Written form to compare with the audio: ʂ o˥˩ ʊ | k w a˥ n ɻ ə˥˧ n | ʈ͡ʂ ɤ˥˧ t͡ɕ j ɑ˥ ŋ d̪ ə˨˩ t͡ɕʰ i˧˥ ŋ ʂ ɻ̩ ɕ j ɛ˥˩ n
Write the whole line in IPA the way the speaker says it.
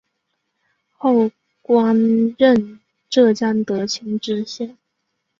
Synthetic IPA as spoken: x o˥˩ ʊ | k w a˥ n ɻ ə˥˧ n | ʈ͡ʂ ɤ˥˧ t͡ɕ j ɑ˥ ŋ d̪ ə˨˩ t͡ɕʰ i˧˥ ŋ ʈ͡ʂ ɻ̩ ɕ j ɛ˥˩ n